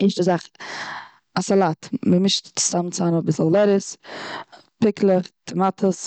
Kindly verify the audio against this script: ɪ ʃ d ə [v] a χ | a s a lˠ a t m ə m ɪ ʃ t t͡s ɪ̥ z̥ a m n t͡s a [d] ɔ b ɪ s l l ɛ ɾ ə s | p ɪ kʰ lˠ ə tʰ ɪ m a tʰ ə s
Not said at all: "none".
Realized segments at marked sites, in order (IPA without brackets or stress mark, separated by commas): z, n